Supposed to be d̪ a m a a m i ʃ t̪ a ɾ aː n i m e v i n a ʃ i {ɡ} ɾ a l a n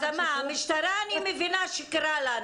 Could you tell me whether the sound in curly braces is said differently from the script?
yes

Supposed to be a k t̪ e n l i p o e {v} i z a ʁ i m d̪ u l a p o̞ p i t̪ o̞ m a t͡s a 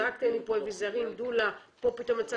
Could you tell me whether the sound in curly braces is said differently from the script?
no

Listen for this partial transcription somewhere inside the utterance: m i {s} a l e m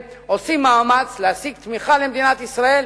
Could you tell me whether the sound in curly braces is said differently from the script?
yes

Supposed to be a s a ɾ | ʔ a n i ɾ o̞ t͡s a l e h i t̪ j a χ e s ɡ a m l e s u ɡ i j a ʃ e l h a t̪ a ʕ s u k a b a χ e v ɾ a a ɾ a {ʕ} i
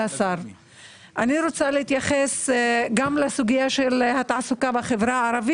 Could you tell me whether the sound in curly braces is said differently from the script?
yes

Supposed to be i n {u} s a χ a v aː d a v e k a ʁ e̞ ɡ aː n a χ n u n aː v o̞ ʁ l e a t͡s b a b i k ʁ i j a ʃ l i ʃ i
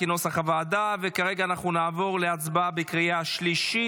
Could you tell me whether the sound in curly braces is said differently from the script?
yes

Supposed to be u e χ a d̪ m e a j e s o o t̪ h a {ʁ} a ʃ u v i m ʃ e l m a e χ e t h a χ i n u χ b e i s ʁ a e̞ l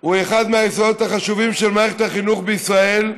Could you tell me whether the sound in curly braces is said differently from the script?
yes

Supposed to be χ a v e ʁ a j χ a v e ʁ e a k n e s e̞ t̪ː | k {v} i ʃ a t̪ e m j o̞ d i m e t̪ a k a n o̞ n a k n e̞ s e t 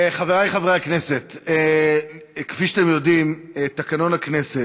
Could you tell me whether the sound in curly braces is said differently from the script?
yes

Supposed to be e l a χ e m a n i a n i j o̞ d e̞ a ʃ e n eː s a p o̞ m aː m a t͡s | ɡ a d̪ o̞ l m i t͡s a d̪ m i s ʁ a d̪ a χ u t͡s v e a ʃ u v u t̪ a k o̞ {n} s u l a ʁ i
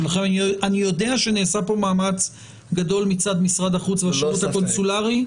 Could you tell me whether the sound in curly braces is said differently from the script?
no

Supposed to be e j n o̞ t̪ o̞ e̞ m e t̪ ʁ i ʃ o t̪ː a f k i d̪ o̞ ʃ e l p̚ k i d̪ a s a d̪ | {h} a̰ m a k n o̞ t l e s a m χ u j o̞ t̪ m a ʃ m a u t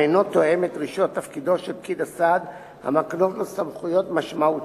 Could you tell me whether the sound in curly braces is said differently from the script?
no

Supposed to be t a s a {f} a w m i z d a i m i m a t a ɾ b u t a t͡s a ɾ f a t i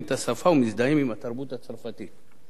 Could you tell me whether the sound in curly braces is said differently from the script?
no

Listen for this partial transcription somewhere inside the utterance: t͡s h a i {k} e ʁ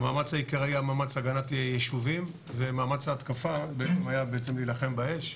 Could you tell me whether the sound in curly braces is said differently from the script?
no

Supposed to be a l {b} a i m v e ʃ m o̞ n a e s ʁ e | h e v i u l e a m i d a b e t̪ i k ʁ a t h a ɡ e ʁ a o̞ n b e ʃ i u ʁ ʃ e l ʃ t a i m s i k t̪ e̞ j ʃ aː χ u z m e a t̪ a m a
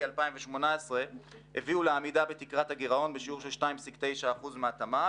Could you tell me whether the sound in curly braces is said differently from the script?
yes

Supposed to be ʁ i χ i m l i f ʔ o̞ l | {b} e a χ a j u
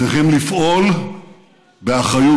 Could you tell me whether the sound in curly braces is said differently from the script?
no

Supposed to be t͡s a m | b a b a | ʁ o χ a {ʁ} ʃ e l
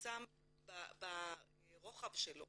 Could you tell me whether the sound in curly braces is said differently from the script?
yes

